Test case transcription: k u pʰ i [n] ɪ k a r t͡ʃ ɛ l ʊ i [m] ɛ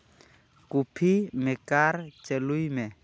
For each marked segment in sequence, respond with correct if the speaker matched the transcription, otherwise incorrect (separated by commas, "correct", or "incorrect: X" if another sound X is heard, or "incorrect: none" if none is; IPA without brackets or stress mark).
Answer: incorrect: m, correct